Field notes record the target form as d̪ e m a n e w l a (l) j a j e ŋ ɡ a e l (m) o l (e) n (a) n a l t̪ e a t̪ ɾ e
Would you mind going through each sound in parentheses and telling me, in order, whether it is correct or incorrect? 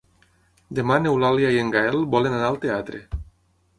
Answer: correct, incorrect: b, correct, correct

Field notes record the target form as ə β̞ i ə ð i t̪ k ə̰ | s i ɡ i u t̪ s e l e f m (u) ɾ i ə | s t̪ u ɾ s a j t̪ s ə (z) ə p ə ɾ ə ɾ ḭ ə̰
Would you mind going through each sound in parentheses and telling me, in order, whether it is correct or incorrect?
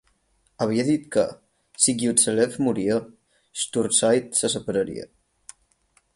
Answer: correct, incorrect: s

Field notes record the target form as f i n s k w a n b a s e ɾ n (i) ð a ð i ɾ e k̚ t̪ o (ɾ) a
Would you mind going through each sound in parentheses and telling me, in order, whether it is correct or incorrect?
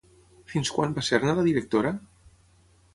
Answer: incorrect: a, correct

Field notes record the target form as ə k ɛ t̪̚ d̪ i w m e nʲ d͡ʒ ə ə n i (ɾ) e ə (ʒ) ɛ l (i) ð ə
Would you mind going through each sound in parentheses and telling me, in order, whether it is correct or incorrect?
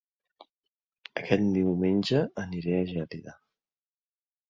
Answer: correct, correct, correct

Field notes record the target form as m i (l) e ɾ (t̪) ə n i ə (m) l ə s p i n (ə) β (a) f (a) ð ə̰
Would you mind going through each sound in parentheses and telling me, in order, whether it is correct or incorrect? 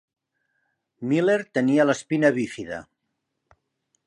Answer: correct, correct, incorrect: none, correct, incorrect: i, incorrect: i

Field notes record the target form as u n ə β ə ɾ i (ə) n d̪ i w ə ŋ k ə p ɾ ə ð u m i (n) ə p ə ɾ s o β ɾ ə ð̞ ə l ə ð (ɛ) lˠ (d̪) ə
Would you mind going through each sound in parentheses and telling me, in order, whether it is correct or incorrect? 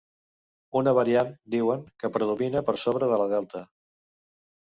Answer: incorrect: a, correct, correct, incorrect: t̪

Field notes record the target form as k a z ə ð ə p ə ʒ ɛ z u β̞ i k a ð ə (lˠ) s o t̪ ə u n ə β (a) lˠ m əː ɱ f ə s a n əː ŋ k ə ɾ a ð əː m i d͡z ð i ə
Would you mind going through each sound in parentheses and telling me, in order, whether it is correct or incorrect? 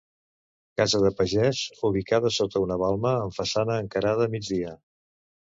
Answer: incorrect: none, correct

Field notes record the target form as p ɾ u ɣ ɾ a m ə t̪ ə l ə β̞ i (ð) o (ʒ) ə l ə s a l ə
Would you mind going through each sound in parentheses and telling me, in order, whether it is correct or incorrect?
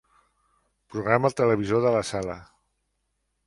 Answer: incorrect: z, incorrect: ð

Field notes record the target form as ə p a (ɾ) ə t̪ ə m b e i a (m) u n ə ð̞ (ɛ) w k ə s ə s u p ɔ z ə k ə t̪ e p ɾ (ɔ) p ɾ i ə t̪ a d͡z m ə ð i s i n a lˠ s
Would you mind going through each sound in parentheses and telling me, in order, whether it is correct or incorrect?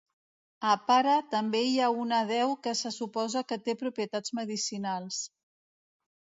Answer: correct, incorrect: none, correct, incorrect: u

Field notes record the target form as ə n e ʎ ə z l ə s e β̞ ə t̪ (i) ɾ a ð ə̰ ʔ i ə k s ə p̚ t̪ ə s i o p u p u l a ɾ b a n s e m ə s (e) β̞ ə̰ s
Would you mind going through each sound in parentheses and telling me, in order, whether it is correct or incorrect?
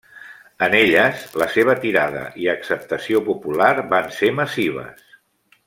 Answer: correct, incorrect: i

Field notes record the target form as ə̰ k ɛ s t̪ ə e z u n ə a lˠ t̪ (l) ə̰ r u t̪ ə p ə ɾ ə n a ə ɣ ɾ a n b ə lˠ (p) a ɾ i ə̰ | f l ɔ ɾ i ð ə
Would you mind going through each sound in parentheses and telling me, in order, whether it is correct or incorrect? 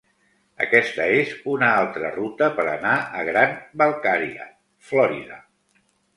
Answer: incorrect: ɾ, incorrect: k

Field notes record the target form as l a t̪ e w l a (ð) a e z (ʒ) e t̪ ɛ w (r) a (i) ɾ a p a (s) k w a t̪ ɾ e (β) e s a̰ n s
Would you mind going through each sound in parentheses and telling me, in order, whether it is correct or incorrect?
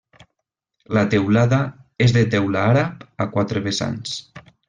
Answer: correct, incorrect: ð, incorrect: l, incorrect: a, incorrect: none, correct

